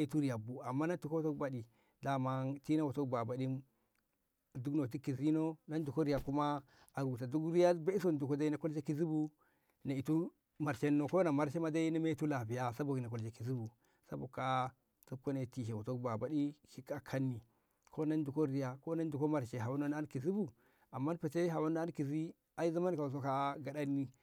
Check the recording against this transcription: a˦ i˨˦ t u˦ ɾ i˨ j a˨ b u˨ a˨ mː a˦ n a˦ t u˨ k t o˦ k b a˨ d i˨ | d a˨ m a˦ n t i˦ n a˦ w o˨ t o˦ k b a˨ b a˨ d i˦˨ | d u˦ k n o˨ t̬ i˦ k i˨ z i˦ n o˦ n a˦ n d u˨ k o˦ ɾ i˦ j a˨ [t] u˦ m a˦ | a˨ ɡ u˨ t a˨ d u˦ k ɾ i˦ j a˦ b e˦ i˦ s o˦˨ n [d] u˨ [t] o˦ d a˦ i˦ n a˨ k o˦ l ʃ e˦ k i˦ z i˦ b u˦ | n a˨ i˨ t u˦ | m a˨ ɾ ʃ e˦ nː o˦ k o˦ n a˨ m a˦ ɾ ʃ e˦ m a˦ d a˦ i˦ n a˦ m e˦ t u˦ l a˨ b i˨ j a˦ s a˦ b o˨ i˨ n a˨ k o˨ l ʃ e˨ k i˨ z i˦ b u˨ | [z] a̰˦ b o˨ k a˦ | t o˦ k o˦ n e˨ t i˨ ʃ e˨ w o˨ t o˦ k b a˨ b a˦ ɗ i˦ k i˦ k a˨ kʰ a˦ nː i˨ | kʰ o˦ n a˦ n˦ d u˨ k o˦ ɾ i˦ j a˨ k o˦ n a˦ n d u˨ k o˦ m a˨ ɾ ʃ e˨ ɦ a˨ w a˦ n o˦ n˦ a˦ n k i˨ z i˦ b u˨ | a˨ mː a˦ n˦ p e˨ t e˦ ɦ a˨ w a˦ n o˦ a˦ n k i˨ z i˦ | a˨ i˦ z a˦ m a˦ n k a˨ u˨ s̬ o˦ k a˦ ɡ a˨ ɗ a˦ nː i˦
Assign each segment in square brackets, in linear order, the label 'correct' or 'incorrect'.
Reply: incorrect: k, correct, incorrect: k, incorrect: s

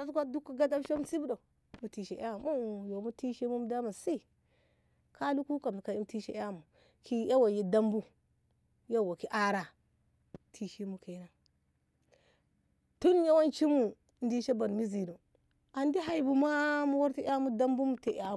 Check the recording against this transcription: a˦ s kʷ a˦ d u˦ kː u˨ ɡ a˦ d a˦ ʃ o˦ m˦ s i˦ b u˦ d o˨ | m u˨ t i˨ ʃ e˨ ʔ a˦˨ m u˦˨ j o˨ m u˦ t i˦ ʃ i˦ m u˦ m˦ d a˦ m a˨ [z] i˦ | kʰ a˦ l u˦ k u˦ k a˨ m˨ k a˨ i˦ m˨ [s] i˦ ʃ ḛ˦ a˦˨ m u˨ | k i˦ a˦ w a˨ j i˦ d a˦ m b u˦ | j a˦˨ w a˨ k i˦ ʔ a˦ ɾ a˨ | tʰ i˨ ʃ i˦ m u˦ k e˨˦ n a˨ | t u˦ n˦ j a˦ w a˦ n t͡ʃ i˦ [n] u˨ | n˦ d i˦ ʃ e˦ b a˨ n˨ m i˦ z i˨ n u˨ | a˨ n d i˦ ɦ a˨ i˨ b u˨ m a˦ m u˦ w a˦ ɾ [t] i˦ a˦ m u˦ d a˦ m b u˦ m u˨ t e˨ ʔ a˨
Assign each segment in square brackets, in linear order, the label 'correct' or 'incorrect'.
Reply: incorrect: s, incorrect: t, incorrect: m, correct

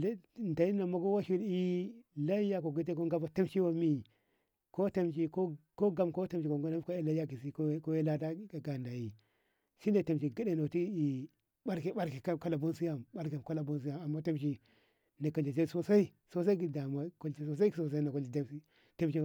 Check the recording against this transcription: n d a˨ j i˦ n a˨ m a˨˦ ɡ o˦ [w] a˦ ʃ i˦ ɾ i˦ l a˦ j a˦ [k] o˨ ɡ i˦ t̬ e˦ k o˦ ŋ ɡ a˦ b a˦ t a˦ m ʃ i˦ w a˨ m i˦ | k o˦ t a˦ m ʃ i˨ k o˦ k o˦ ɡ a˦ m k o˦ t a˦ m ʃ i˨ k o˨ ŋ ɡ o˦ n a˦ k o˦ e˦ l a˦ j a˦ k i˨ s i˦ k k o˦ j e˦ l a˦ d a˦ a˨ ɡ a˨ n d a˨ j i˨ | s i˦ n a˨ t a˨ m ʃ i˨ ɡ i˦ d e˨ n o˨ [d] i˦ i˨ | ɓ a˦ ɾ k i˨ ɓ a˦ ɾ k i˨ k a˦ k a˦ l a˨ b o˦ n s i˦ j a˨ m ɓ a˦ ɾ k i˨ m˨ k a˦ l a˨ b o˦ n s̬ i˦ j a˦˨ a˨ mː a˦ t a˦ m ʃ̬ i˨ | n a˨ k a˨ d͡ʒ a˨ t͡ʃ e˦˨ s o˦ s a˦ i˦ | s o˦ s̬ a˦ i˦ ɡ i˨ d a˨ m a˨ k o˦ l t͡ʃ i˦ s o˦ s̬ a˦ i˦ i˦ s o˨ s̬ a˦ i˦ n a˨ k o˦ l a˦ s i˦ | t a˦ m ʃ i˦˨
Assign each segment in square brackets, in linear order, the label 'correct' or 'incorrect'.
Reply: correct, correct, incorrect: t

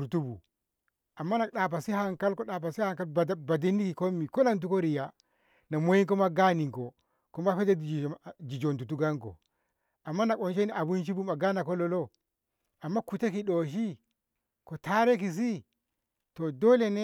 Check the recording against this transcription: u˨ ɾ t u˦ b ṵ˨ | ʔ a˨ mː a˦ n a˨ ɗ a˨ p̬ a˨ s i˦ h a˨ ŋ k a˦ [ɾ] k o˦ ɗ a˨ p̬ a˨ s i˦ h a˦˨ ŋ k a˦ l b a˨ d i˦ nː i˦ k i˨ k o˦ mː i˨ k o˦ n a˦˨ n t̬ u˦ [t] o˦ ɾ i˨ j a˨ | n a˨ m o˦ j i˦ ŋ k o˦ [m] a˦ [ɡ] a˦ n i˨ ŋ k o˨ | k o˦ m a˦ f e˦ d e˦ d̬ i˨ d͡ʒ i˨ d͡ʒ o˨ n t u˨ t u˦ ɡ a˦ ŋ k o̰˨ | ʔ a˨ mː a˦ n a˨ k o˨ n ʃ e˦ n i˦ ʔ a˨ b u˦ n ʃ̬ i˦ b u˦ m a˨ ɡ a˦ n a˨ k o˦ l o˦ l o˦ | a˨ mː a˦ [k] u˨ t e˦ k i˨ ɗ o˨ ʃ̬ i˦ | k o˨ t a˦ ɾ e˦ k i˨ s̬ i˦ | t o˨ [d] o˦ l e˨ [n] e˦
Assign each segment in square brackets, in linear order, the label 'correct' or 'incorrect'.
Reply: incorrect: l, incorrect: k, correct, correct, correct, correct, correct

